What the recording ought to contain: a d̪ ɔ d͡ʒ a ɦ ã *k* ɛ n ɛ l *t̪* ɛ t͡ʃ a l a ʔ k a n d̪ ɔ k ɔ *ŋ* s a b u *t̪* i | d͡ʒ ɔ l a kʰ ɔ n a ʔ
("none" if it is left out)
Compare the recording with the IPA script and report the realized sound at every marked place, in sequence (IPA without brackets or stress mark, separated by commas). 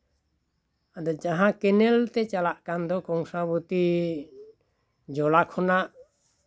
k, t̪, ŋ, t̪